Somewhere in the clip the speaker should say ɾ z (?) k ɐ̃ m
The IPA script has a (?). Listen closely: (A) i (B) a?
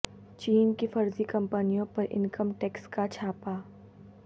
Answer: A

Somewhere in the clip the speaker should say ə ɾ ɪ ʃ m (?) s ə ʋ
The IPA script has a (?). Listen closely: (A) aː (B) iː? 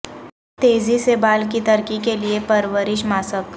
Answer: A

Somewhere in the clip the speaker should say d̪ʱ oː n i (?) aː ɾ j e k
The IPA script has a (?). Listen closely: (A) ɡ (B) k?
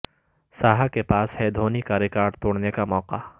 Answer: B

